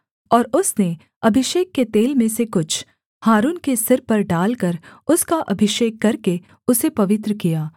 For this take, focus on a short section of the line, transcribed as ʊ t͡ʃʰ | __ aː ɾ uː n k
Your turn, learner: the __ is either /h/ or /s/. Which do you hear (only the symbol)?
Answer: h